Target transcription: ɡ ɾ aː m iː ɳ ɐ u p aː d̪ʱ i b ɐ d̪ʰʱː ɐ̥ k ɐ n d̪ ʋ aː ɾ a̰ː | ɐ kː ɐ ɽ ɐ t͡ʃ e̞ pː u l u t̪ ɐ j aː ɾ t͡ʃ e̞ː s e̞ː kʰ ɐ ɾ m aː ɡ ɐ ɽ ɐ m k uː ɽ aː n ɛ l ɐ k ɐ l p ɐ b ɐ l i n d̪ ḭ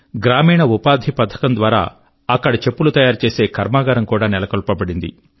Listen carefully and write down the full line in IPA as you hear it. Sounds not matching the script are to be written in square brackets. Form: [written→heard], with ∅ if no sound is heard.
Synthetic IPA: ɡ ɾ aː m iː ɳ ɐ u p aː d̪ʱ i [b→p] ɐ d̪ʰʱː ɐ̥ k ɐ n d̪ ʋ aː ɾ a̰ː | ɐ kː ɐ ɽ ɐ t͡ʃ e̞ pː u l u t̪ ɐ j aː ɾ t͡ʃ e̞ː s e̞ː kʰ ɐ ɾ m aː ɡ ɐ [ɽ→ɾ] ɐ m k uː ɽ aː n ɛ l ɐ k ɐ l p ɐ b ɐ [l→ɽ] i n d̪ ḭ